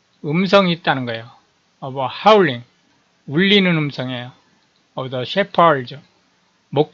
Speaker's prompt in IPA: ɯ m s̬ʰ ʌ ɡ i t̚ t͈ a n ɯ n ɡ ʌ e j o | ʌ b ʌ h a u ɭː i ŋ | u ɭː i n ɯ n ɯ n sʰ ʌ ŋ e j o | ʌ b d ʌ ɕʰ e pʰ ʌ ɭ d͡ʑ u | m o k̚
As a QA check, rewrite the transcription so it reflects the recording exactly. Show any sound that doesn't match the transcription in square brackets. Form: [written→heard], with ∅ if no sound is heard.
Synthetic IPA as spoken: ɯ m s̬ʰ ʌ [ɡ→ŋ] i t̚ t͈ a n ɯ n ɡ ʌ e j o | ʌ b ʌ h a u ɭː i ŋ | u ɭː i n ɯ n ɯ [n→m] sʰ ʌ ŋ e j o | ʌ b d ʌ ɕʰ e pʰ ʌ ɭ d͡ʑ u | m o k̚